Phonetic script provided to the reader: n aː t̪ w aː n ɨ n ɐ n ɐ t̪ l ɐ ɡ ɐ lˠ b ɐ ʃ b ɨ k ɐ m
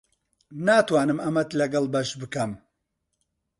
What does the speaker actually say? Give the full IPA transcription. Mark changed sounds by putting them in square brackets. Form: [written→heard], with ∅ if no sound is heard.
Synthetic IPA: n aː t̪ w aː n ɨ [n→m] ɐ [n→m] ɐ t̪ l ɐ ɡ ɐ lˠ b ɐ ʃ b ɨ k ɐ m